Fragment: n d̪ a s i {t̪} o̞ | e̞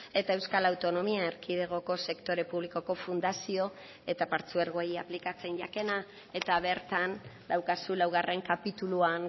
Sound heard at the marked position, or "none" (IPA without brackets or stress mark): none